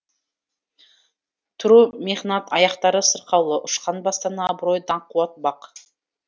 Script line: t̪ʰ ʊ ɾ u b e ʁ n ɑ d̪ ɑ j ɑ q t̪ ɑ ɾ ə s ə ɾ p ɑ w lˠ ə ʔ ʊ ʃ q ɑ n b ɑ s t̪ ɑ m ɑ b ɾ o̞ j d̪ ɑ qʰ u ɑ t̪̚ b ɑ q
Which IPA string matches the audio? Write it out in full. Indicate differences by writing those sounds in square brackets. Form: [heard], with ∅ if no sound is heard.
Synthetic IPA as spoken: t̪ʰ ʊ ɾ u [m] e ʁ n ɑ [t̪] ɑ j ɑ q t̪ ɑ ɾ ə s ə ɾ [q] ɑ w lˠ ə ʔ ʊ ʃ q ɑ n b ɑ s t̪ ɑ [n] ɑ b ɾ o̞ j d̪ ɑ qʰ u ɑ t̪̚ b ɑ q